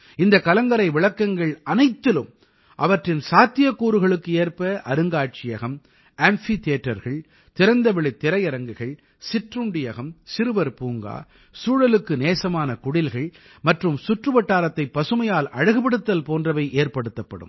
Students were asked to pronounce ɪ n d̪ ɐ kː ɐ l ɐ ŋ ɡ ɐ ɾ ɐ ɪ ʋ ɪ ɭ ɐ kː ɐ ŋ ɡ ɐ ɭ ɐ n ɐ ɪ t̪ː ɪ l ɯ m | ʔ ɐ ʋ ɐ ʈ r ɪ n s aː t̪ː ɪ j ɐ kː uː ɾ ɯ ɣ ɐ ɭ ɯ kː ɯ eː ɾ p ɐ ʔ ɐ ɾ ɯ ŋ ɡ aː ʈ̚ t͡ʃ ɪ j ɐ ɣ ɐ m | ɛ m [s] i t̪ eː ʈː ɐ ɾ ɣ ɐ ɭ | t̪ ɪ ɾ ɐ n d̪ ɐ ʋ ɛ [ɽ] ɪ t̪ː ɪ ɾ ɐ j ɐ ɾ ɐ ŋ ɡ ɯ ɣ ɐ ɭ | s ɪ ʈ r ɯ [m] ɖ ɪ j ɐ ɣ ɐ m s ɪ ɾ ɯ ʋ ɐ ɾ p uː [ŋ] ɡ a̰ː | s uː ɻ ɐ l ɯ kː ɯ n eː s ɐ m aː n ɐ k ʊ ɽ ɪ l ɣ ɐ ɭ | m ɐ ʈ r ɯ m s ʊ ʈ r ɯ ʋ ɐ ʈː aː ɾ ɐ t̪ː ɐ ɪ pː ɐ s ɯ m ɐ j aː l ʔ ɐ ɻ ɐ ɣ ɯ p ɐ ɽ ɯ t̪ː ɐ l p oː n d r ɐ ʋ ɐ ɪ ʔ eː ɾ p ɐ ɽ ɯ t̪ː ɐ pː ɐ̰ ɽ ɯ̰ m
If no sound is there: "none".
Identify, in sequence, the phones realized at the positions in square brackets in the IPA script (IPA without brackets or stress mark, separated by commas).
f, ɭ, ɳ, ŋ